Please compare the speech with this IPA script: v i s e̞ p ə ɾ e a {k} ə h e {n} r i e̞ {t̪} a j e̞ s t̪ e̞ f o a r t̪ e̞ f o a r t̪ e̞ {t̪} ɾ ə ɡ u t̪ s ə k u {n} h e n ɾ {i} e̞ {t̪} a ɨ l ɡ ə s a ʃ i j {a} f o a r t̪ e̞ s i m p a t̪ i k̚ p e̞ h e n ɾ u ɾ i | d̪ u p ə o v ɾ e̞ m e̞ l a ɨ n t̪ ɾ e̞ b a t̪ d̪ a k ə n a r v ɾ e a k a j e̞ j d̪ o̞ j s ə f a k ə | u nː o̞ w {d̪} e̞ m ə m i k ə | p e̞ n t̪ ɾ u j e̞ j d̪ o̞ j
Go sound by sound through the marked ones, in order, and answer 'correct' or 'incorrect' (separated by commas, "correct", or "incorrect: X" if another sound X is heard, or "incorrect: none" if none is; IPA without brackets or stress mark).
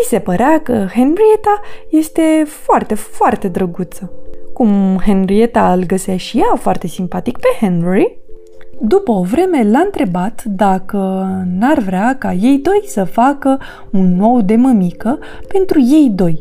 correct, correct, correct, incorrect: d̪, incorrect: m, correct, correct, correct, correct